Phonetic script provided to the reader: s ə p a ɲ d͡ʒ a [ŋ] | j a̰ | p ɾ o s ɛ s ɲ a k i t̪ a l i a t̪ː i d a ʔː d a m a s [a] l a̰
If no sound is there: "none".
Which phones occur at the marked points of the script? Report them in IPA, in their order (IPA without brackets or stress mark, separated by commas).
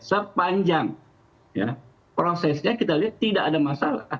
ŋ, a